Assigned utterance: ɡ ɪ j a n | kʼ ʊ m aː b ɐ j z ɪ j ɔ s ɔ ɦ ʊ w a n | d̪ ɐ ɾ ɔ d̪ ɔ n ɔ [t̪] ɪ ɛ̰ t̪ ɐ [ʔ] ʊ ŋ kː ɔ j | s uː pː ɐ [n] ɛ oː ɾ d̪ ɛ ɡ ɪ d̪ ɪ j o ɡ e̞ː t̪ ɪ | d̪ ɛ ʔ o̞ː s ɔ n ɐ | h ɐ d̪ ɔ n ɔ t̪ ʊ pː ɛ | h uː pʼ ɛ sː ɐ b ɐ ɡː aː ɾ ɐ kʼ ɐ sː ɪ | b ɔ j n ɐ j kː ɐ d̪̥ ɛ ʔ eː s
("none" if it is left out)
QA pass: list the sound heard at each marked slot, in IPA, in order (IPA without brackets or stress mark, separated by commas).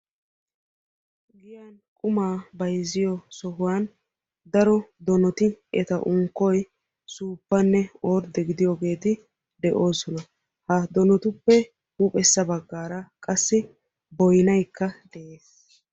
t̪, ʔ, nː